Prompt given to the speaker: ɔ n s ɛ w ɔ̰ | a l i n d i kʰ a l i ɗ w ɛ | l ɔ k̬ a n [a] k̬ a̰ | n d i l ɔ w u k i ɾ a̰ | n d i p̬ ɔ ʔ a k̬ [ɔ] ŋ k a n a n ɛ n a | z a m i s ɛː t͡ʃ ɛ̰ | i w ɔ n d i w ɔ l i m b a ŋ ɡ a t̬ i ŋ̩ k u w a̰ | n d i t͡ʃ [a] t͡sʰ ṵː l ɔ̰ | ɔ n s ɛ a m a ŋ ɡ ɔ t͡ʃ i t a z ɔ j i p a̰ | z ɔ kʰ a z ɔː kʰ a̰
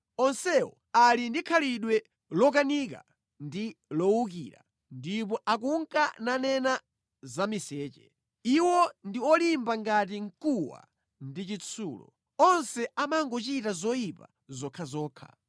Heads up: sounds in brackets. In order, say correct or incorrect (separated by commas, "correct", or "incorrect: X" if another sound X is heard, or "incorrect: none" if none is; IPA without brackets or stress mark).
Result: incorrect: i, incorrect: u, incorrect: i